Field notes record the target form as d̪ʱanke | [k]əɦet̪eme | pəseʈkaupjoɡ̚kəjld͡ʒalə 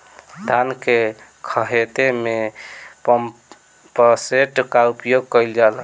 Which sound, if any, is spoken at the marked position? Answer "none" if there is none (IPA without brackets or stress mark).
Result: kʰ